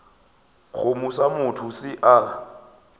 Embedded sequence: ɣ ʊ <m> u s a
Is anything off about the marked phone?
no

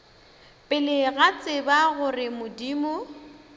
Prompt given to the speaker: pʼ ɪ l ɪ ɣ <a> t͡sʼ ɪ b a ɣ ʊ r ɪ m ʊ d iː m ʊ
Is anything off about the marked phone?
no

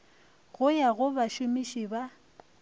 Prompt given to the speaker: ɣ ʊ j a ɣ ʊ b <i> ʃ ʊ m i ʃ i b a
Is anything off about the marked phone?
yes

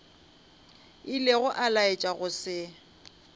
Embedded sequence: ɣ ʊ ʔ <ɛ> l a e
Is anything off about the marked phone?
yes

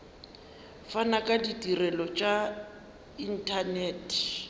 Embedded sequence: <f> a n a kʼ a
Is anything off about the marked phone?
no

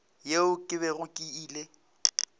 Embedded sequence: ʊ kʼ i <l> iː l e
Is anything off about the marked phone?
yes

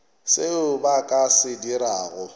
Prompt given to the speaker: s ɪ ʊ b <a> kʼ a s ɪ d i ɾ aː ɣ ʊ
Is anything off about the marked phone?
no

